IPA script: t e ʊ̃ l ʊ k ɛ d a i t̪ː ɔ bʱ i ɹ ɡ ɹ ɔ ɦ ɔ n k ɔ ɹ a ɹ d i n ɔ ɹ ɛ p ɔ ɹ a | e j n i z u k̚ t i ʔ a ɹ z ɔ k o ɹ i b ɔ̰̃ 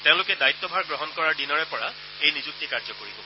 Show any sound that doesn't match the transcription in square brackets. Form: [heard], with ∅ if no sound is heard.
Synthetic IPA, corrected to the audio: t e ʊ̃ l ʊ k ɛ d a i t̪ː ɔ bʱ [a] ɹ ɡ ɹ ɔ ɦ ɔ n k ɔ ɹ a ɹ d i n ɔ ɹ ɛ p ɔ ɹ a | e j n i z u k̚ t i [k] a ɹ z ɔ k o ɹ i b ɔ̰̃